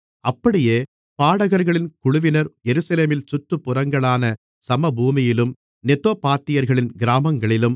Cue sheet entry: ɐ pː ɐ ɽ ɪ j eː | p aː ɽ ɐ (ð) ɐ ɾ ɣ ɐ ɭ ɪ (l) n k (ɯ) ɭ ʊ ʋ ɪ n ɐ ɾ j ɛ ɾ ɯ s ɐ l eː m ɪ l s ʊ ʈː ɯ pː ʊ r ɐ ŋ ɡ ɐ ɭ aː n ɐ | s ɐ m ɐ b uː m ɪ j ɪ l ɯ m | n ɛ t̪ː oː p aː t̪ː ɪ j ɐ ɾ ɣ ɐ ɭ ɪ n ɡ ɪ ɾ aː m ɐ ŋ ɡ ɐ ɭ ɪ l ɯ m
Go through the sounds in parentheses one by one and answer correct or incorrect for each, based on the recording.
incorrect, incorrect, incorrect

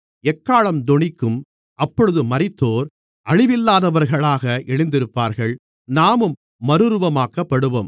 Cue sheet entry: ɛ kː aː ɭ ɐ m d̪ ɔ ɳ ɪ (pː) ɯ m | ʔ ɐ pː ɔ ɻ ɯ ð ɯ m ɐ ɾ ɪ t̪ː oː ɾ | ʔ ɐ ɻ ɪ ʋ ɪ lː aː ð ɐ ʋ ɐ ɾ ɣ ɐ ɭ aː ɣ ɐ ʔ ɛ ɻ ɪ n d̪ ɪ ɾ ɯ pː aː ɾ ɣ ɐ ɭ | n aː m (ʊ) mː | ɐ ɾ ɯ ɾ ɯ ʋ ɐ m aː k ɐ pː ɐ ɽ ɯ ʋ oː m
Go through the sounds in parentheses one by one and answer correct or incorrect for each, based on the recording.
incorrect, incorrect

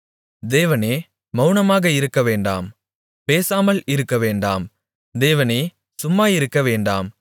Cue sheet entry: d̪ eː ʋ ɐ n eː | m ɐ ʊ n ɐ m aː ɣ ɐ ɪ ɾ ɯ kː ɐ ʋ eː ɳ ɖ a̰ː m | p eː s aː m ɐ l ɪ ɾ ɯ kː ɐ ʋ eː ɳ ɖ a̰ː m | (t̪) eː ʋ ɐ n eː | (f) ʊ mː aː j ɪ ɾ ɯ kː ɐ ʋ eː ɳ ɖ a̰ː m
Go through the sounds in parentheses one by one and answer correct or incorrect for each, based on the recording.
incorrect, incorrect

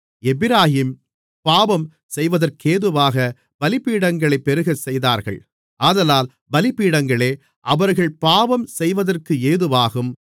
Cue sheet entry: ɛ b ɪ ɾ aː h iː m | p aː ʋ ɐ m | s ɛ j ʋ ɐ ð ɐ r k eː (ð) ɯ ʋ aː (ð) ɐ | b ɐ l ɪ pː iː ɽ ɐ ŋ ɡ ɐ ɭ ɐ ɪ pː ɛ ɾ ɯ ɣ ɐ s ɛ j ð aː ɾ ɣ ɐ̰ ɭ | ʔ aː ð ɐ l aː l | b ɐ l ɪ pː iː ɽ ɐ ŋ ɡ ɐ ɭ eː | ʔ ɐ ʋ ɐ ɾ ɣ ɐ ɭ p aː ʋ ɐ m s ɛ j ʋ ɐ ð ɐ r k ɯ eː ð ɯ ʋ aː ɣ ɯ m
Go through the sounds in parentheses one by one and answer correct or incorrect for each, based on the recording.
correct, incorrect

